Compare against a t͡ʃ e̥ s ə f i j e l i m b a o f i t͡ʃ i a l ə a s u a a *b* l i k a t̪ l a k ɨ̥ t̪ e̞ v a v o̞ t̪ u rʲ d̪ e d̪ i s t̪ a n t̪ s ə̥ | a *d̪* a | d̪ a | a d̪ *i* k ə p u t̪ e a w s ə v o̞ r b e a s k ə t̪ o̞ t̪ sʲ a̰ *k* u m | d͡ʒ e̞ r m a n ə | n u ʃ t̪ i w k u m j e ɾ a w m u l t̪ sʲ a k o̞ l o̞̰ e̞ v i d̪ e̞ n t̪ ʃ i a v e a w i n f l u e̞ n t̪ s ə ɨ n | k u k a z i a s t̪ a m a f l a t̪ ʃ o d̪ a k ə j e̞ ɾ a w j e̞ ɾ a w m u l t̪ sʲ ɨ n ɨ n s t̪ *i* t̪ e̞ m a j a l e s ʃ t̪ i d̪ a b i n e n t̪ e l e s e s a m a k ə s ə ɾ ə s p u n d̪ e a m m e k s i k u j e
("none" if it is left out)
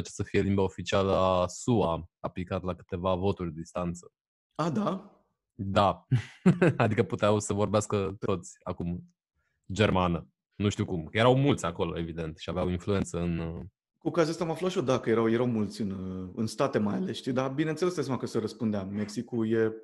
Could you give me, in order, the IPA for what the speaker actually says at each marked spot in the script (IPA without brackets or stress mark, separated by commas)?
p, d̪, i, k, a